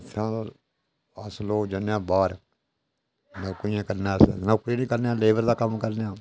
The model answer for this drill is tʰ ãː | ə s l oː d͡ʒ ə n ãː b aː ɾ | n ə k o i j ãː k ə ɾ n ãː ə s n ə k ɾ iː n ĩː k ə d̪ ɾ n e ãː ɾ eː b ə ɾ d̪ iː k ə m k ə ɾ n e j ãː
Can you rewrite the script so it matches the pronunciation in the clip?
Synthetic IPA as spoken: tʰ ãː | ə s l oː d͡ʒ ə n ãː b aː ɾ | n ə k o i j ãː k ə ɾ n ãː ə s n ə k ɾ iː n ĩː k ə ɾ n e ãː l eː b ə ɾ d̪ aː k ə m k ə ɾ n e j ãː